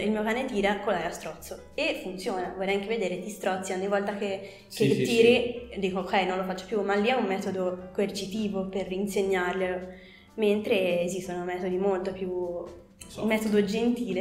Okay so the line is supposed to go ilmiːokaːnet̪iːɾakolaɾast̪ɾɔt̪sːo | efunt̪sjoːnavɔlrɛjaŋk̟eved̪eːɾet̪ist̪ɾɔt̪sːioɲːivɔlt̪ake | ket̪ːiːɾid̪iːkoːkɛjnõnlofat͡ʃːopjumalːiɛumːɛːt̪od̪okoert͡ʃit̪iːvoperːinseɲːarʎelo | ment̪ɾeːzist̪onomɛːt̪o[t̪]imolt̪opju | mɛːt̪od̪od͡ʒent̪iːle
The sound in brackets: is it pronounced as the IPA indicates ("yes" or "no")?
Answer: no